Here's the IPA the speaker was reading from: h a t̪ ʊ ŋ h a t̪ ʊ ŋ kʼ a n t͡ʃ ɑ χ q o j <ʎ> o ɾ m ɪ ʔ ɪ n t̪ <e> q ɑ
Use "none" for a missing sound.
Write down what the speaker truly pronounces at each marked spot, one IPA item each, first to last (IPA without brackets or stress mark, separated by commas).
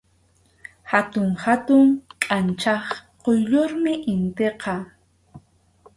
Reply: ʎ, e